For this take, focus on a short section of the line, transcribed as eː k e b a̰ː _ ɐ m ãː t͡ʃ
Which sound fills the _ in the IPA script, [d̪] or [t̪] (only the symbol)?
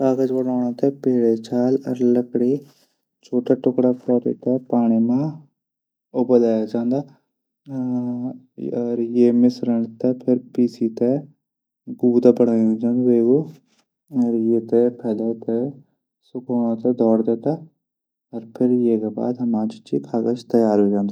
d̪